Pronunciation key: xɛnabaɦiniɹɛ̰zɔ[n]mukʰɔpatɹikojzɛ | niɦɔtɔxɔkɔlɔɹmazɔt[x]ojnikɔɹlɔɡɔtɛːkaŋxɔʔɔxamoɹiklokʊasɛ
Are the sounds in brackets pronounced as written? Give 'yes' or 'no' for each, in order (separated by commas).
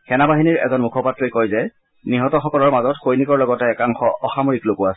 yes, yes